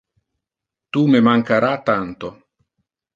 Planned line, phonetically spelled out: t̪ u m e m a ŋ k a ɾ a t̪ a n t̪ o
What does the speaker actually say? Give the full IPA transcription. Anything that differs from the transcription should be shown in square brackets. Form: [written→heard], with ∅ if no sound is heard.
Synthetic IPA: t̪ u m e m a ŋ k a ɾ a t̪ a n t̪ o